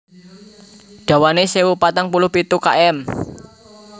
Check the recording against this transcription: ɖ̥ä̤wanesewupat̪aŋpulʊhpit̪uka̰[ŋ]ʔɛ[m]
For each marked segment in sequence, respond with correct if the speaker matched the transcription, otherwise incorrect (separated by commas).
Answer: incorrect, correct